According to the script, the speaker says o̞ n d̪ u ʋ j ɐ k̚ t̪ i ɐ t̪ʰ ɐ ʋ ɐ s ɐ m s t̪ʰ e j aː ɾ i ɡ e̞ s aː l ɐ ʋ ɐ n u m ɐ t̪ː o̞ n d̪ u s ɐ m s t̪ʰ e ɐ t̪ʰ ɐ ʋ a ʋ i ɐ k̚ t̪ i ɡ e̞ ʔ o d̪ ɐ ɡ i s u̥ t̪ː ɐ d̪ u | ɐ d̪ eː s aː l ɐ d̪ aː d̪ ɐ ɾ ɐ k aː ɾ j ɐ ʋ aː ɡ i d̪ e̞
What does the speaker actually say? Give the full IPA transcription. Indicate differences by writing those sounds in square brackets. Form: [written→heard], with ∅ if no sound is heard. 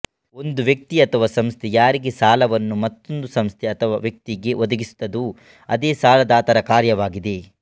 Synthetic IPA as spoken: o̞ n d̪ u ʋ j ɐ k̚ t̪ i ɐ t̪ʰ ɐ ʋ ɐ s ɐ m s t̪ʰ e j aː ɾ i ɡ e̞ s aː l ɐ ʋ ɐ [n→nː] u m ɐ t̪ː o̞ n d̪ u s ɐ m s t̪ʰ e ɐ t̪ʰ ɐ ʋ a ʋ [i→j] ɐ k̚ t̪ i ɡ e̞ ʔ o d̪ ɐ ɡ i s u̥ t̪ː ɐ d̪ u | ɐ d̪ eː s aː l ɐ d̪ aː [d̪→t̪] ɐ ɾ ɐ k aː ɾ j ɐ ʋ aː ɡ i d̪ e̞